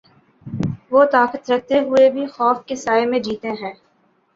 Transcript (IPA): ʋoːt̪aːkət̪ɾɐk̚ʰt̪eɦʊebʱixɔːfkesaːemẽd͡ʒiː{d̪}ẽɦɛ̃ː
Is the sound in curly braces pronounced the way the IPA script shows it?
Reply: no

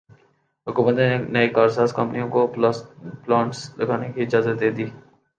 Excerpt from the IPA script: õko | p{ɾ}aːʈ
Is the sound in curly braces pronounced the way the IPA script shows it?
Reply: no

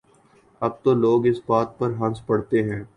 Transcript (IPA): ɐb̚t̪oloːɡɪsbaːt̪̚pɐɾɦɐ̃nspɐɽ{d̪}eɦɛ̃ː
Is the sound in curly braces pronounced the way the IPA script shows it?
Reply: no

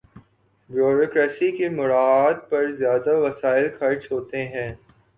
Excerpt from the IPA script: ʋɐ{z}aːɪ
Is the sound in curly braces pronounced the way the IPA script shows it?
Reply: no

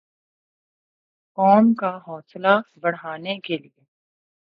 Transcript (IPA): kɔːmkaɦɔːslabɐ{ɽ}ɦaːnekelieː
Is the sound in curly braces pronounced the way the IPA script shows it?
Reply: yes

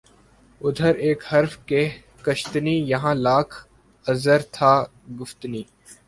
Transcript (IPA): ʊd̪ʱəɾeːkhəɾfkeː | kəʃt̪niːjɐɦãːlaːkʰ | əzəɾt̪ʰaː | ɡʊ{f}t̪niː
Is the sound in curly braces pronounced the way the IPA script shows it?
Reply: yes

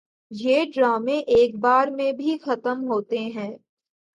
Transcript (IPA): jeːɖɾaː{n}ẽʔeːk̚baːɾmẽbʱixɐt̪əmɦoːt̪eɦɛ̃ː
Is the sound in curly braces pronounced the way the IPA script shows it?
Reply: no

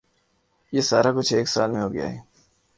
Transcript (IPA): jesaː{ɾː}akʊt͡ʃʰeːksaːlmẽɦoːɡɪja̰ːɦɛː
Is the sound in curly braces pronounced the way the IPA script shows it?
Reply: no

